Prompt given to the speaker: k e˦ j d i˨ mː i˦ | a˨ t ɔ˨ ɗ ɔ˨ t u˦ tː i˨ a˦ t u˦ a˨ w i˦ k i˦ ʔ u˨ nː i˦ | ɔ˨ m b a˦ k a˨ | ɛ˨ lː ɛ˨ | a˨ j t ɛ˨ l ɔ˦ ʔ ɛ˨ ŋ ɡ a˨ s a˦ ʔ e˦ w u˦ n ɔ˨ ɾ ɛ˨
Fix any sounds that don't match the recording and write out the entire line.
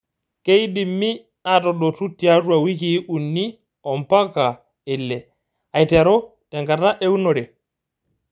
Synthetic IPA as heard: k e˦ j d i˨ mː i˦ | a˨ t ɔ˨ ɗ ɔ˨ t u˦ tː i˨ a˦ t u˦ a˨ w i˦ k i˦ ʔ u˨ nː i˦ | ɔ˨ m p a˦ k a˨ | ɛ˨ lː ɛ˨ | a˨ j t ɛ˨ ɾ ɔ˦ t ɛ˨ ŋ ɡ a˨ t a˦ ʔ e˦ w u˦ n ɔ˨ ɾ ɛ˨